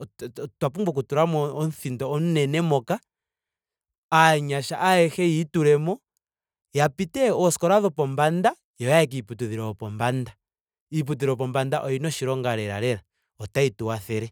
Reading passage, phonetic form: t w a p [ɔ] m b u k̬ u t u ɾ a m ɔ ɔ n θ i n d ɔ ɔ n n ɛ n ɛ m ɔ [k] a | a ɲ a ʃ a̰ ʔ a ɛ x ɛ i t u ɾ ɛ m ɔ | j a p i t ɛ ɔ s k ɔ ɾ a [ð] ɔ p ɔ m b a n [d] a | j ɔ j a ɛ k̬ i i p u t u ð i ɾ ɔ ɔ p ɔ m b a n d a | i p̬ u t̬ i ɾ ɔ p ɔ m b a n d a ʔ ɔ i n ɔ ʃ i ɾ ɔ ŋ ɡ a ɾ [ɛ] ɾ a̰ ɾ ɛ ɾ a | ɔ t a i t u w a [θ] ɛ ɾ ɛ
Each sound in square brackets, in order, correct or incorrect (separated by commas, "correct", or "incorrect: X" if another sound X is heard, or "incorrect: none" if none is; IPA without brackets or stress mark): incorrect: u, correct, correct, correct, correct, correct